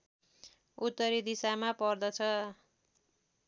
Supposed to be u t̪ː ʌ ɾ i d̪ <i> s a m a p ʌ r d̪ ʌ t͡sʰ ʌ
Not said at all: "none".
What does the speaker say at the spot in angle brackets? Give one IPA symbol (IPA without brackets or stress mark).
i